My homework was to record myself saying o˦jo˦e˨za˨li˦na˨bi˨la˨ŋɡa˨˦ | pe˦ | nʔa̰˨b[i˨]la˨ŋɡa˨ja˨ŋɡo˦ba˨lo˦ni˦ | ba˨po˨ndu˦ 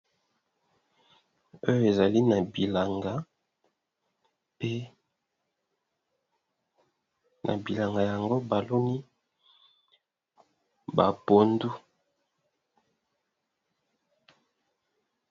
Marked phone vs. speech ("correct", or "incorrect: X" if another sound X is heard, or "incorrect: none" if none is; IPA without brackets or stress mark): correct